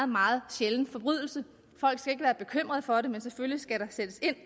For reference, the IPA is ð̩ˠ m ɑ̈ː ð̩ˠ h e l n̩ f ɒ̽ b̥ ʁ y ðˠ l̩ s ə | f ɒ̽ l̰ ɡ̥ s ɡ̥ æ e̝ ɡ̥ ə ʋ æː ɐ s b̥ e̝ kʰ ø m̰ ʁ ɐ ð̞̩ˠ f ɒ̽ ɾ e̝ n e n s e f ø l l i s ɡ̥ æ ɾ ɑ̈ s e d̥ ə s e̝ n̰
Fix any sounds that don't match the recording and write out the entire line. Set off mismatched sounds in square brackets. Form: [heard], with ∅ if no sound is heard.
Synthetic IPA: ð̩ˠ m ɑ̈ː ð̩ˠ [ɕ] e l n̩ f ɒ̽ b̥ ʁ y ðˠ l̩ s ə | f ɒ̽ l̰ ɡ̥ s ɡ̥ æ e̝ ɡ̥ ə ʋ æː ɐ [∅] b̥ e̝ kʰ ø m̰ ʁ ɐ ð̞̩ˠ f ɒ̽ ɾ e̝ [m] e n s e f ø l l i s ɡ̥ æ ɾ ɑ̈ s e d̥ ə s e̝ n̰